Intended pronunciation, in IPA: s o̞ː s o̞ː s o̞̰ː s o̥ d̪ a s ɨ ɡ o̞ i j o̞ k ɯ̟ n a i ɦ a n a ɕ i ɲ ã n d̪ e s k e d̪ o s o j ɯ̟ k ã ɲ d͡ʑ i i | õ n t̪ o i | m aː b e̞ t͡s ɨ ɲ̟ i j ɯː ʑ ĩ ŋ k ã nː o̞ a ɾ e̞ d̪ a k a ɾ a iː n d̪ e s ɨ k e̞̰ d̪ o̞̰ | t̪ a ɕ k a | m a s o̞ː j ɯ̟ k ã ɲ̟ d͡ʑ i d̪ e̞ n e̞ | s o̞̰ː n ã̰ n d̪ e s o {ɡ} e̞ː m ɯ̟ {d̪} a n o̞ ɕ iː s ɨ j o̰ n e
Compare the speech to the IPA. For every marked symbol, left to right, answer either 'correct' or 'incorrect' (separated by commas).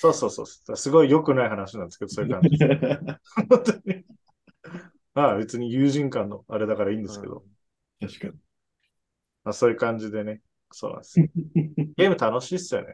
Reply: correct, incorrect